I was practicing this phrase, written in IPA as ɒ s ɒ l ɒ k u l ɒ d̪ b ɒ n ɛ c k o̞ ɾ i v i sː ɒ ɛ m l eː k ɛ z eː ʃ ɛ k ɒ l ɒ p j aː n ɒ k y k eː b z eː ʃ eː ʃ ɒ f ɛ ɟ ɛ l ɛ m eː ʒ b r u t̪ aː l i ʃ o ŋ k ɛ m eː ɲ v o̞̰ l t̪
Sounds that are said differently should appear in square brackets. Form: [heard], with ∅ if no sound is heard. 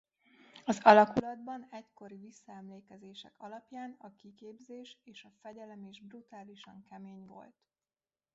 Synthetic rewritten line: ɒ [z] ɒ l ɒ k u l ɒ d̪ b ɒ n ɛ c k o̞ ɾ i v i sː ɒ ɛ m l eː k ɛ z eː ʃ ɛ k ɒ l ɒ p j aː n ɒ k [i] k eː b z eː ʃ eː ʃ ɒ f ɛ ɟ ɛ l ɛ m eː ʒ b r u t̪ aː l i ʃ [ɒ] ŋ k ɛ m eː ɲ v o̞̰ l t̪